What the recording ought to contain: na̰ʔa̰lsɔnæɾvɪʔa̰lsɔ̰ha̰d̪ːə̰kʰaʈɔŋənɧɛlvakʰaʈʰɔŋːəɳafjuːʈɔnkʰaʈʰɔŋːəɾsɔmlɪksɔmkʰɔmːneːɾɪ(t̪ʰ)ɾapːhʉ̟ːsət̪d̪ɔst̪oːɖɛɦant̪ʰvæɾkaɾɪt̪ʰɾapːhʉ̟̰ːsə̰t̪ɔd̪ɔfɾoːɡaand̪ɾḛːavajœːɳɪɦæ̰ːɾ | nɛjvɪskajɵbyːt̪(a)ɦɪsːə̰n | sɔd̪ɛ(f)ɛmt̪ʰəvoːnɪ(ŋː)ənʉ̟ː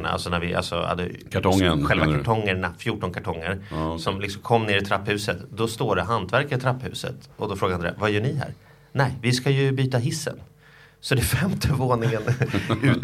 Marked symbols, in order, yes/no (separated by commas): yes, yes, yes, no